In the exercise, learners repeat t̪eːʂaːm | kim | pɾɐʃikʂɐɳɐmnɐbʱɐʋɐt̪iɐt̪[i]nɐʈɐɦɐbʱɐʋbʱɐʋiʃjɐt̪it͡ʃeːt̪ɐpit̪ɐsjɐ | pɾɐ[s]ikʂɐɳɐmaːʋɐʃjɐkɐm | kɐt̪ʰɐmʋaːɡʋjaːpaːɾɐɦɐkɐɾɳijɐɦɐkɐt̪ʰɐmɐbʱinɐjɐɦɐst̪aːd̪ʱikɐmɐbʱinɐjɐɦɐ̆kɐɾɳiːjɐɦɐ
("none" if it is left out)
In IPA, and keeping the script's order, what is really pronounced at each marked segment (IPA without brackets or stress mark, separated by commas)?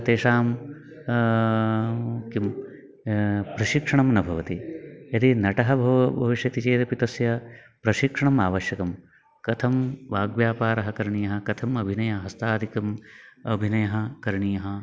i, ʃ